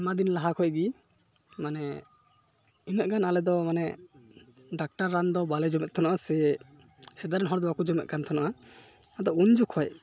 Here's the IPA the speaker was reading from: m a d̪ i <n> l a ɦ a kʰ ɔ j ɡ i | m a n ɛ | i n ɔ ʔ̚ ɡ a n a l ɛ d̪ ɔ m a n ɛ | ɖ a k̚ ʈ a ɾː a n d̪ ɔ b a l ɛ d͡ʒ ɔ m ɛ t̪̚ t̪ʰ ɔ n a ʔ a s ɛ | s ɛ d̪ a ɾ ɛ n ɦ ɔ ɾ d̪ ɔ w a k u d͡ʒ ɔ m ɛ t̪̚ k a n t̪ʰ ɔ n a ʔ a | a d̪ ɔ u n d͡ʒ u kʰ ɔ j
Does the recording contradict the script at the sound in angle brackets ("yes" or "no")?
no